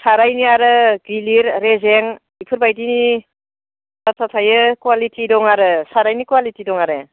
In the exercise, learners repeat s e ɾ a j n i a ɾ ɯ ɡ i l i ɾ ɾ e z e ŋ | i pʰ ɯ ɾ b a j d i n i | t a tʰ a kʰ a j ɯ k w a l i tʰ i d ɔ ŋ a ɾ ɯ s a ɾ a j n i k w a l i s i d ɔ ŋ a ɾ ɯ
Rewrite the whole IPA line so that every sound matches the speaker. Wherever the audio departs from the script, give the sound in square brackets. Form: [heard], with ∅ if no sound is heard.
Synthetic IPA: s [a] ɾ a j n i a ɾ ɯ ɡ i l i ɾ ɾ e z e ŋ | i pʰ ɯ ɾ b a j d i n i | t a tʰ a [tʰ] a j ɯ k w a l i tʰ i d ɔ ŋ a ɾ ɯ s a ɾ a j n i k w a l i [t] i d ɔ ŋ a ɾ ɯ